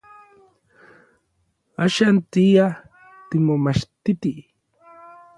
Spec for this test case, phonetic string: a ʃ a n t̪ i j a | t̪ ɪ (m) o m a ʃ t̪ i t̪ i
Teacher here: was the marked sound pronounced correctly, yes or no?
yes